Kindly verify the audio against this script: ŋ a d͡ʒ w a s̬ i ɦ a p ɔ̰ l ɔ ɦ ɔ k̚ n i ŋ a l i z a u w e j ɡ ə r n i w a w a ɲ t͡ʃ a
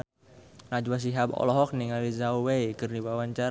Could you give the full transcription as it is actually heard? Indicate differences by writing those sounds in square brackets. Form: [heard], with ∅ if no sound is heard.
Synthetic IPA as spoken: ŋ a d͡ʒ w a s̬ i ɦ a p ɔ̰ l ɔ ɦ ɔ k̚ n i ŋ a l i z a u w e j [k] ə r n i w a w a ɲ t͡ʃ a

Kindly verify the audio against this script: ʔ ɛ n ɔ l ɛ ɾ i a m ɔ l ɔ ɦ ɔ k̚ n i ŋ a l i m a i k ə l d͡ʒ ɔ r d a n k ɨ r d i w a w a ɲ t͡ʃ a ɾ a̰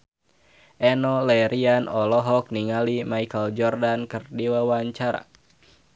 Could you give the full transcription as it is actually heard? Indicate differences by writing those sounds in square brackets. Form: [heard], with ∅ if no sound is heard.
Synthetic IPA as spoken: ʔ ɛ n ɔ l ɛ ɾ i a [n] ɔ l ɔ ɦ ɔ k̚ n i ŋ a l i m a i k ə l d͡ʒ ɔ r d a n k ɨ r d i w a w a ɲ t͡ʃ a ɾ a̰

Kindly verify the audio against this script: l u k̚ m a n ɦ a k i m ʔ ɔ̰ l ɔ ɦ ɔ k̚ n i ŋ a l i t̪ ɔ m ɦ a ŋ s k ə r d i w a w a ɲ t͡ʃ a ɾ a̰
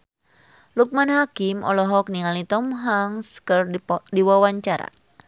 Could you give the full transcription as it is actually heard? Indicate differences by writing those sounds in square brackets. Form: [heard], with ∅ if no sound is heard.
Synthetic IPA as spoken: l u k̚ m a n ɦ a k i m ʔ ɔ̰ l ɔ ɦ ɔ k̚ n i ŋ a l i t̪ ɔ m ɦ a ŋ s k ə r d i w a w a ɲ t͡ʃ a ɾ a̰

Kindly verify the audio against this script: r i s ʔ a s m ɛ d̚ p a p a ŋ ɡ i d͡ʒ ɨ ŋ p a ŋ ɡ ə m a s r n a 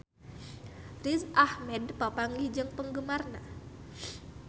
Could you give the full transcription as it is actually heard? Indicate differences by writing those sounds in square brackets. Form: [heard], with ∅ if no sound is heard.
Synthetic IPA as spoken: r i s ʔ a [h] m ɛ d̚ p a p a ŋ ɡ i d͡ʒ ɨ ŋ p [ə] ŋ ɡ ə m a [∅] r n a

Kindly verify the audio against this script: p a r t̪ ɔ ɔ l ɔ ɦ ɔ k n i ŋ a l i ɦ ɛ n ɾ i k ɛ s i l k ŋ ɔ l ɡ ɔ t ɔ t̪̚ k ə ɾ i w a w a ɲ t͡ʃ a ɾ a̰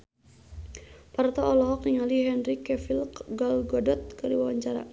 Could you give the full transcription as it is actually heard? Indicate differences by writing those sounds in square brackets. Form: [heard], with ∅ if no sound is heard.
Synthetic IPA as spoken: p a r t̪ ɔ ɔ l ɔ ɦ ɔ k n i ŋ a l i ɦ ɛ n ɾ i k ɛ [f] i l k [ɡ] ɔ l ɡ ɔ [d] ɔ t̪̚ k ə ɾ i w a w a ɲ t͡ʃ a ɾ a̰

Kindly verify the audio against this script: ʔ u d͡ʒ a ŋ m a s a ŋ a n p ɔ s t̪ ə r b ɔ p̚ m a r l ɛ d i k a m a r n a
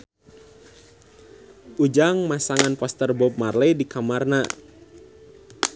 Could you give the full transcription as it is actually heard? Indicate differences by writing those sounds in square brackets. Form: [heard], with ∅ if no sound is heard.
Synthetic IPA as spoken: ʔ u d͡ʒ a ŋ m a s a ŋ a n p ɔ s t̪ ə r b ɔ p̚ m a r l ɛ d i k a m a r n a

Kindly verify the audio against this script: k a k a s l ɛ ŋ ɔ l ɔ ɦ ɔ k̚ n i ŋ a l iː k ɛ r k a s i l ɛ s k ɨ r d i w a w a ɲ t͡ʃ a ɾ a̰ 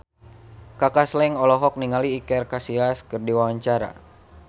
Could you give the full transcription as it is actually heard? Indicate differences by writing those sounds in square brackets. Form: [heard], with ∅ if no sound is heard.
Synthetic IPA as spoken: k a k a s l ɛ ŋ ɔ l ɔ ɦ ɔ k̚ n i ŋ a l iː k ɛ r k a s i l [a] s k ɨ r d i w a w a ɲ t͡ʃ a ɾ a̰

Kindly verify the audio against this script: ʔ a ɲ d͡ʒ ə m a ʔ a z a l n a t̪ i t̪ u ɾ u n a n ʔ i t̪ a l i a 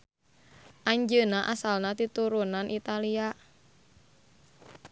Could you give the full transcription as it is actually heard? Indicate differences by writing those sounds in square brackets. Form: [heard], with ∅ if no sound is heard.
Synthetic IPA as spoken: ʔ a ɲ d͡ʒ ə [n] a ʔ a [s] a l n a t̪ i t̪ u ɾ u n a n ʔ i t̪ a l i a

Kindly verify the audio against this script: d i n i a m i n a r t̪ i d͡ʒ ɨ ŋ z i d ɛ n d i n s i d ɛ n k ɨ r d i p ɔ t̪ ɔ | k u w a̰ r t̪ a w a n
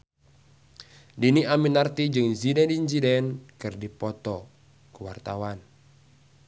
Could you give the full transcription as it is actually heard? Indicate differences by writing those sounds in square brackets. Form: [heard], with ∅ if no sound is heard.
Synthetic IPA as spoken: d i n i a m i n a r t̪ i d͡ʒ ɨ ŋ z i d ɛ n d i n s i d ɛ n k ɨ r d i p ɔ t̪ ɔ | k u w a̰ r t̪ a w a n

